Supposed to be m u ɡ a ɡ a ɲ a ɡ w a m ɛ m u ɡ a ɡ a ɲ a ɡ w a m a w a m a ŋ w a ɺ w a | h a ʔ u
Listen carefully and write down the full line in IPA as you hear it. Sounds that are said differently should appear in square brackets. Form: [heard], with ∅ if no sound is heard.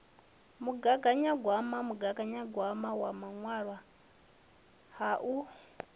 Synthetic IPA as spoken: m u ɡ a ɡ a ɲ a ɡ w a m [a] m u ɡ a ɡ a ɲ a ɡ w a m a w a m a ŋ w a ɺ w a | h a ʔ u